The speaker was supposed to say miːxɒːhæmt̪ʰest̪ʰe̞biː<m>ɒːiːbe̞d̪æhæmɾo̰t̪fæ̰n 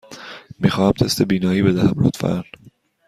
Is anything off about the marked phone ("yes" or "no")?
yes